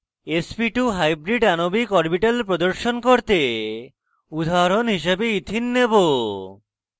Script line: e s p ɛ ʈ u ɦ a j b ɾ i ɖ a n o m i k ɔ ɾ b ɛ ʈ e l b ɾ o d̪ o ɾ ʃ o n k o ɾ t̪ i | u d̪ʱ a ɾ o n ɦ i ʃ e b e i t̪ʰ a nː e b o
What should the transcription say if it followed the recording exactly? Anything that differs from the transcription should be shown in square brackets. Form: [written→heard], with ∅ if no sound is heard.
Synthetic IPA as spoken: e s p [ɛ→i] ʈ u ɦ a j b ɾ i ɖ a n o [m→b] i k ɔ ɾ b [ɛ→i] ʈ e l [b→p] ɾ o d̪ o ɾ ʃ o n k o ɾ t̪ [i→e] | u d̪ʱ a ɾ o n ɦ i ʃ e b e i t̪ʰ [a→i] nː e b o